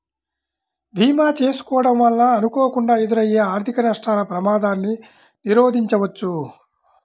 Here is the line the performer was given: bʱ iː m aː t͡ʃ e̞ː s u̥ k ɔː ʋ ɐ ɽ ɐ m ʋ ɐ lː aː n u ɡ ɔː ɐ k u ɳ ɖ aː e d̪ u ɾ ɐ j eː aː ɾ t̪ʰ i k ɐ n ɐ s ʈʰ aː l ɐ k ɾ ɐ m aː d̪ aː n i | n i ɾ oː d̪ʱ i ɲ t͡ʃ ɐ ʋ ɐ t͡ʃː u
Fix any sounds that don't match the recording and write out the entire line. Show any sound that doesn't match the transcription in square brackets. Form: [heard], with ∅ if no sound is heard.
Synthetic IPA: bʱ iː m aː t͡ʃ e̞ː s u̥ k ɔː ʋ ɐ ɽ ɐ m ʋ ɐ lː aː n u [k] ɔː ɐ k u ɳ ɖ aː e d̪ u ɾ ɐ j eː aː ɾ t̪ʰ i k ɐ n ɐ [ʂ] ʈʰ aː l ɐ [p] ɾ ɐ m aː d̪ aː [nː] i | n i ɾ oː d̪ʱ i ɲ t͡ʃ ɐ ʋ ɐ t͡ʃː u